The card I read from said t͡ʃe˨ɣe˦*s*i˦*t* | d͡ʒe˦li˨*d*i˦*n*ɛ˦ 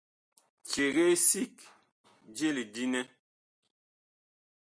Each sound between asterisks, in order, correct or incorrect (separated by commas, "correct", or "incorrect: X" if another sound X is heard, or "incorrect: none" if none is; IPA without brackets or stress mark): correct, incorrect: k, correct, correct